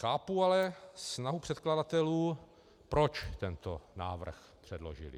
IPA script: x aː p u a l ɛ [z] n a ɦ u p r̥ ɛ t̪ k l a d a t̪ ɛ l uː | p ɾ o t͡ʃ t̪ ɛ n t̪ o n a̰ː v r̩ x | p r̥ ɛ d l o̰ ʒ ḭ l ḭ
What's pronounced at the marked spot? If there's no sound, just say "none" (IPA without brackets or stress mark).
s